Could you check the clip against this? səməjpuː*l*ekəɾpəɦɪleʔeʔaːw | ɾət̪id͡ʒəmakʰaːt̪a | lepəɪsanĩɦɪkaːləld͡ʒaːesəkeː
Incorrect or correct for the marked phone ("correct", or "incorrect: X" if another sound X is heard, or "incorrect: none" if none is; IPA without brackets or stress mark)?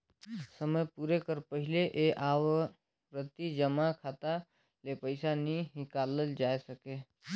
incorrect: ɾ